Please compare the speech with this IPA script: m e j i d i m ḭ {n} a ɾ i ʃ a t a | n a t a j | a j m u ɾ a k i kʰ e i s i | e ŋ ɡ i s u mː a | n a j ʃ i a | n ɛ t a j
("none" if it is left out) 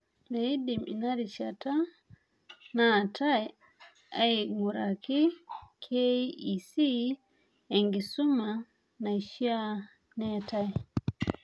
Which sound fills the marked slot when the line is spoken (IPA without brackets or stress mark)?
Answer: n